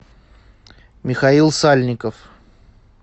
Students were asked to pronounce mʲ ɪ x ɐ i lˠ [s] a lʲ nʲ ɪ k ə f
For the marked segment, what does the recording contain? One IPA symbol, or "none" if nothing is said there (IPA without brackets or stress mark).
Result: s